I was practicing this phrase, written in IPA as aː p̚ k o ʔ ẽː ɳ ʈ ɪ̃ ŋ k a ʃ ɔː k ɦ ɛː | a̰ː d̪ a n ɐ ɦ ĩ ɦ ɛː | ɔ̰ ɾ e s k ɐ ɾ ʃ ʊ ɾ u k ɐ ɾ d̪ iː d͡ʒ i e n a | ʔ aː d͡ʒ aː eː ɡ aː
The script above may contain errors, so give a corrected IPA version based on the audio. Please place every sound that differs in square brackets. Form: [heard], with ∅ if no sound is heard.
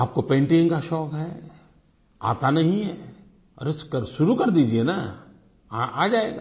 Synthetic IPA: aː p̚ k o [p] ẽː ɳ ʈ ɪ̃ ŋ k a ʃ ɔː k ɦ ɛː | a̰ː [t̪] a n ɐ ɦ ĩ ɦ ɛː | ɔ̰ ɾ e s k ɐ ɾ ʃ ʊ ɾ u k ɐ ɾ d̪ iː d͡ʒ i e n a | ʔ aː d͡ʒ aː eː ɡ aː